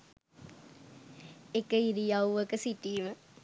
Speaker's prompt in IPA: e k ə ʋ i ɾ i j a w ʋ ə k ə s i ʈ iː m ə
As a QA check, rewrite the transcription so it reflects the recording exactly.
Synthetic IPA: e k ə i ɾ i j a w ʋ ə k ə s i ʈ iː m ə